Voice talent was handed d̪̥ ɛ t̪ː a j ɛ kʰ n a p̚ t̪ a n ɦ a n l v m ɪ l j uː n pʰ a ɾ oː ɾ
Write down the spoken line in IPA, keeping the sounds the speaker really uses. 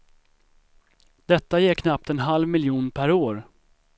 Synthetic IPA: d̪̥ ɛ t̪ː a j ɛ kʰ n a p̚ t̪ ɛ n ɦ a l v m ɪ l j uː n pʰ æ ɾ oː ɾ